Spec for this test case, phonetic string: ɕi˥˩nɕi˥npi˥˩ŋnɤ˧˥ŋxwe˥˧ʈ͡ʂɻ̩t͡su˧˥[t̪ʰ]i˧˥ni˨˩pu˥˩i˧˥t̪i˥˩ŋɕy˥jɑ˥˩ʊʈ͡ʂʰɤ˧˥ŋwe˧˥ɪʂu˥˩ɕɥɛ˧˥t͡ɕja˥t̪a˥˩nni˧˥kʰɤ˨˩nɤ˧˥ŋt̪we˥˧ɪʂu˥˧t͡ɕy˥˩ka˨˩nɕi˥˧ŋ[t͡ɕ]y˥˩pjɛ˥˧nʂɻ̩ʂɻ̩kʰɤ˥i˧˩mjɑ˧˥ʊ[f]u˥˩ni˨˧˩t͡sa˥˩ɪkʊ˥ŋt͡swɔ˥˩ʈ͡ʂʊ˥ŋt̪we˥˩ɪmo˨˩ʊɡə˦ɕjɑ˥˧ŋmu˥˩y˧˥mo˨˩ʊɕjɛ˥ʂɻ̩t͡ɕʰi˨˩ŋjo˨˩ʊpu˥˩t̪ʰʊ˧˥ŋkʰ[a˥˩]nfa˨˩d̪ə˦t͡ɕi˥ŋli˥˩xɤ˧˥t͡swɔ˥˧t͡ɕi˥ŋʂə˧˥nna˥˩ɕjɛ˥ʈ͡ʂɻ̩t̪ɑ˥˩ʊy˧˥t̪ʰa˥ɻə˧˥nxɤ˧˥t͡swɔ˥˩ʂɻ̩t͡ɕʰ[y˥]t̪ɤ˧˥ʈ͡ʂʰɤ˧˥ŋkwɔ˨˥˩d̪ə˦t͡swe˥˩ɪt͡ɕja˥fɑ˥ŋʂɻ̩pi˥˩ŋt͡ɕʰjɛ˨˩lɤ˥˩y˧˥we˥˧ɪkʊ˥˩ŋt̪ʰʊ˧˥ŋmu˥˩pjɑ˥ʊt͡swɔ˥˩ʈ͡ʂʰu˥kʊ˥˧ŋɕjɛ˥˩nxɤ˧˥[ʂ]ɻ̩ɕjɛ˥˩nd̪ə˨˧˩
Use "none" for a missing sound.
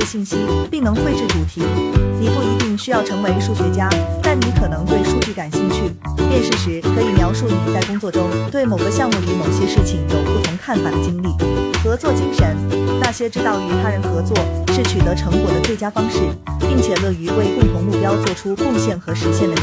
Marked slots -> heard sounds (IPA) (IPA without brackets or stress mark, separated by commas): t̪ʰ, t͡ɕʰ, ʂ, a˥˩, y˨˩, ʂ